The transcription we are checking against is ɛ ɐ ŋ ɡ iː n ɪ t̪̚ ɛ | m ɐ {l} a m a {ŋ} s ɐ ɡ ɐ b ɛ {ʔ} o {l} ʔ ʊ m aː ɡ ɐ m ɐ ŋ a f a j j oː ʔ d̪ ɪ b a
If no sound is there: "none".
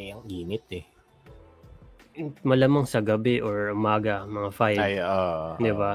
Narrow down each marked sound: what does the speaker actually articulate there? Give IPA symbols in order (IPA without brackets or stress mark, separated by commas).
l, ŋ, ʔ, ɹ